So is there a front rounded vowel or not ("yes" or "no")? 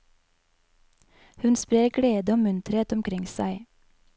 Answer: no